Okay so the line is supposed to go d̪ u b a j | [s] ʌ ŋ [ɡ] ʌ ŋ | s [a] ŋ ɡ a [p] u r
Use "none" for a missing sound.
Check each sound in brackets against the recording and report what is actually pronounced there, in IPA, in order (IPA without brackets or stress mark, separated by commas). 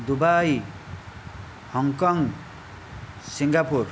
h, k, i, p